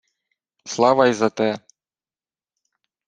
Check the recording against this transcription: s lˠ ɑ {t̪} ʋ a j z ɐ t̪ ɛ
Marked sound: incorrect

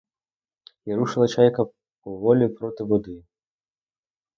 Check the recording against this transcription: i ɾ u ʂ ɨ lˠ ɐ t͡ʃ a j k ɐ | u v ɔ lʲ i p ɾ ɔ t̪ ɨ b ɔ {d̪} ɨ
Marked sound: correct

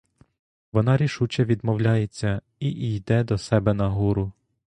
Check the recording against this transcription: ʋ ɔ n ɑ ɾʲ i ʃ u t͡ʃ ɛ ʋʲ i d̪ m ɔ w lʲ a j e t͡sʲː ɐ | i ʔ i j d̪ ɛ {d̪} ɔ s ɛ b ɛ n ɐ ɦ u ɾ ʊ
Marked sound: correct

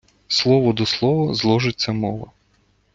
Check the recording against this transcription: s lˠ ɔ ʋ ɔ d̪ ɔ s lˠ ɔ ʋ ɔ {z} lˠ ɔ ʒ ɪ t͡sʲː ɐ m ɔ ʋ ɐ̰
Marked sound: correct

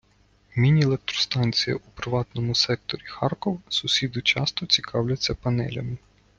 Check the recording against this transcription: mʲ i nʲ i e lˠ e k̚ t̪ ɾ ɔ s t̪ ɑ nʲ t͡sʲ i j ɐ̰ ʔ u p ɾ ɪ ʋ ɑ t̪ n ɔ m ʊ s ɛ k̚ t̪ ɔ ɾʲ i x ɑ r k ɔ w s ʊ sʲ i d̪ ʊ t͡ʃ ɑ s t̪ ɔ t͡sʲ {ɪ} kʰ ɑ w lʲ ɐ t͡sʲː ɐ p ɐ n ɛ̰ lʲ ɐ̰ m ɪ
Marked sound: incorrect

